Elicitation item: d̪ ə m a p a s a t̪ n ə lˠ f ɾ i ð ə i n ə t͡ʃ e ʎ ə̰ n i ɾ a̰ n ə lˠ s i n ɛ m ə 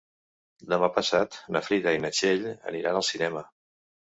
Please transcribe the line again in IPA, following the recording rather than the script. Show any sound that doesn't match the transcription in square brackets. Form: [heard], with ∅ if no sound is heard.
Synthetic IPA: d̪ ə m a p [ə] s a t̪ n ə [∅] f ɾ i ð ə i n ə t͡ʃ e ʎ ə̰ n i ɾ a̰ n ə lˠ s i n ɛ m ə